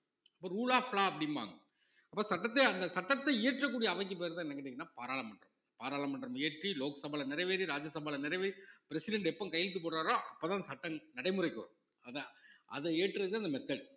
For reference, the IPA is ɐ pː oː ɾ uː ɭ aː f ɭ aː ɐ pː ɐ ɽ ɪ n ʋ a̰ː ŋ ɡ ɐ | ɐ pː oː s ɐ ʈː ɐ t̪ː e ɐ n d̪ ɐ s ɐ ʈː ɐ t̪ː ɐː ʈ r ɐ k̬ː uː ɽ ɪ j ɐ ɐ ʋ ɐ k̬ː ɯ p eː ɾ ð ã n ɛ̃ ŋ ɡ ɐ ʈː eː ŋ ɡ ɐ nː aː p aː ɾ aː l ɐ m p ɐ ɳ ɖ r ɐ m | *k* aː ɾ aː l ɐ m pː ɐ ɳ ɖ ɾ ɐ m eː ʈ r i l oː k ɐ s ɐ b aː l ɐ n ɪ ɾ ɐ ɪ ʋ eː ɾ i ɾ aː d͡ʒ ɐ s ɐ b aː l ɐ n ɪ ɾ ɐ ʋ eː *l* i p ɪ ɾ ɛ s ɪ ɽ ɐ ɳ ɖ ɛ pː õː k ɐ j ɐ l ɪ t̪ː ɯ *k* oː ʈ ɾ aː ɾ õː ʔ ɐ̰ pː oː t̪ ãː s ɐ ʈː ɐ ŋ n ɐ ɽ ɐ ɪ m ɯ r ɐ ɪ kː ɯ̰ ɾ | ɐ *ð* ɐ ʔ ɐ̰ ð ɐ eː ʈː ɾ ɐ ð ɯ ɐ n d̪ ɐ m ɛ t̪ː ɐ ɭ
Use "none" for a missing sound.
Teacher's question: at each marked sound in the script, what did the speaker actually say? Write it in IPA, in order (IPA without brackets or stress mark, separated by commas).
p, ɾ, p, ð